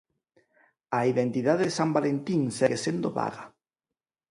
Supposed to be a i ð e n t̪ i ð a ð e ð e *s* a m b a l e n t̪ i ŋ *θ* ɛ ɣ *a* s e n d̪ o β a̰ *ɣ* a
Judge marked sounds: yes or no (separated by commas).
yes, no, no, yes